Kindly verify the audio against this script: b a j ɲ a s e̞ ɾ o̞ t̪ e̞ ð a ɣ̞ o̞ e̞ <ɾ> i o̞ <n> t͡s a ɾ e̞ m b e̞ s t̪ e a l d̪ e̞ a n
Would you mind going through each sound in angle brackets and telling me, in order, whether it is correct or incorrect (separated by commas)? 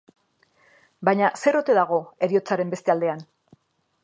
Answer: correct, incorrect